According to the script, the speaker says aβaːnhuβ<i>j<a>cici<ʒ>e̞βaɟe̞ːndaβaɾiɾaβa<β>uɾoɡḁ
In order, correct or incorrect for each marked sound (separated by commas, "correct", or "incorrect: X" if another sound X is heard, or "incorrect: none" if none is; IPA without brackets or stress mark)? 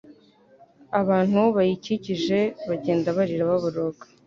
incorrect: a, incorrect: i, correct, correct